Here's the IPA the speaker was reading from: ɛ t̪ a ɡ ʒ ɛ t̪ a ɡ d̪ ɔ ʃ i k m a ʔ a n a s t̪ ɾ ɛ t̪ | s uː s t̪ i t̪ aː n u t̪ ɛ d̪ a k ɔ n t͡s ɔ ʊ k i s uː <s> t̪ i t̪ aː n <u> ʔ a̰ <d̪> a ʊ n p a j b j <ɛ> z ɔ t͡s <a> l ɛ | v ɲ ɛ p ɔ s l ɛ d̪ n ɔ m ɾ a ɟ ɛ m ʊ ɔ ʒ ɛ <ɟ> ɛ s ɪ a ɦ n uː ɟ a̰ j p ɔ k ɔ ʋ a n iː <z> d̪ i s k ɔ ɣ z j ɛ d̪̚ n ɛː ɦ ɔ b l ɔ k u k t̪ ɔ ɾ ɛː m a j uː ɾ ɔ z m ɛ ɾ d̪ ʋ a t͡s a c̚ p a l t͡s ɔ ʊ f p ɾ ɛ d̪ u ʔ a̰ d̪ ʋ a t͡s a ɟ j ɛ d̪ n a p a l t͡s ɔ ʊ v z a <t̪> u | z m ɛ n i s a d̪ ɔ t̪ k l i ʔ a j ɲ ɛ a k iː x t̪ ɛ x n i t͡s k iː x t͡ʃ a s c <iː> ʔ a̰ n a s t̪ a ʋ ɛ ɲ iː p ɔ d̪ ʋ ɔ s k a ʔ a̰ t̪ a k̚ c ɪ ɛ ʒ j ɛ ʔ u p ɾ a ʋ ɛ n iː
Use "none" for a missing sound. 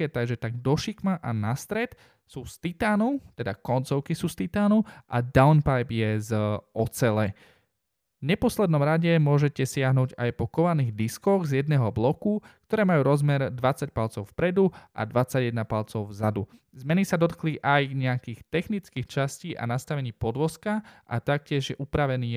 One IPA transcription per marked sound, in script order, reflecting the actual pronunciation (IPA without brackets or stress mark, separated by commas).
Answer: s, u, d̪, ɛ, ɛ, c, ɣ, d̪, iː